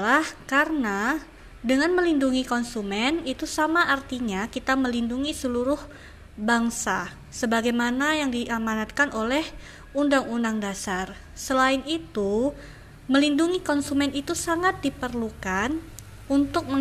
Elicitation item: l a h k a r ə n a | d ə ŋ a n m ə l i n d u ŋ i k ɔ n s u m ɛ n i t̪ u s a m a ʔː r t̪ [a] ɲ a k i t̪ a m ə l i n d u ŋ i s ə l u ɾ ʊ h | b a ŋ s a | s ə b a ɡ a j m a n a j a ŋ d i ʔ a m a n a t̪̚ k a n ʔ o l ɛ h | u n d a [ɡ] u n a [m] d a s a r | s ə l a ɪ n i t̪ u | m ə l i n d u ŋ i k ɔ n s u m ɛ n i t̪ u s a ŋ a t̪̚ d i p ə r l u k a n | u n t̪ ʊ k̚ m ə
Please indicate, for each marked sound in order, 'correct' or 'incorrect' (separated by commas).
incorrect, incorrect, incorrect